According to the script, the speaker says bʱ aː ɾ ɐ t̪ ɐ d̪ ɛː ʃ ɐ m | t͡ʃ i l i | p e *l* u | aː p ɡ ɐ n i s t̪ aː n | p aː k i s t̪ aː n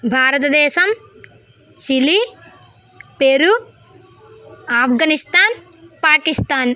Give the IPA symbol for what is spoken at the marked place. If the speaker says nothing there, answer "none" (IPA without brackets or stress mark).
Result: ɾ